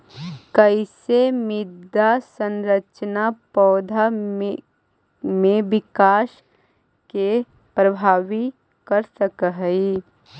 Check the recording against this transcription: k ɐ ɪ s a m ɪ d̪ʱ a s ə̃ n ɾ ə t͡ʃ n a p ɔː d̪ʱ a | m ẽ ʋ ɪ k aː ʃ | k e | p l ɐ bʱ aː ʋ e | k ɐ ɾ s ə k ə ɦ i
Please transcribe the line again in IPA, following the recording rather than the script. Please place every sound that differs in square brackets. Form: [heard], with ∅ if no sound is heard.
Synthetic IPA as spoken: k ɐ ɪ s [e] m ɪ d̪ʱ a s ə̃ n ɾ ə t͡ʃ n a p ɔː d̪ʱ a | m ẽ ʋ ɪ k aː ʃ | k e | p [ɾ] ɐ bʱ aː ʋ [i] | k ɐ ɾ s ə k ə ɦ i